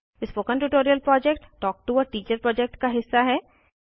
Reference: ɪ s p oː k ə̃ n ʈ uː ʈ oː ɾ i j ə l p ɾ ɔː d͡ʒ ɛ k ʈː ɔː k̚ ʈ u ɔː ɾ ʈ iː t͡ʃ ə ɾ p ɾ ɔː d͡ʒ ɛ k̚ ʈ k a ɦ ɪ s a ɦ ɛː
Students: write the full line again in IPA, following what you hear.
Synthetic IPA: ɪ s p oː k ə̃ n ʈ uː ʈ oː ɾ i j ə l p ɾ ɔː d͡ʒ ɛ k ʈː ɔː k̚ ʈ u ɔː ɾ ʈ iː t͡ʃ ə ɾ p ɾ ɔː d͡ʒ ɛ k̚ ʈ k a ɦ ɪ sː a ɦ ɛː